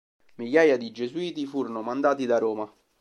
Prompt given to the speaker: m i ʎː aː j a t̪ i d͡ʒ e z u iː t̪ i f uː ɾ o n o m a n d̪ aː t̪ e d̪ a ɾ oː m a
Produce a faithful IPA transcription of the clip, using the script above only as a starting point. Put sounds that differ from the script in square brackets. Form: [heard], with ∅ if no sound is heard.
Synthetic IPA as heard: m i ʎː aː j a [d̪] i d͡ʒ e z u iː t̪ i f uː ɾ o n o m a n d̪ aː t̪ [i] d̪ a ɾ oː m a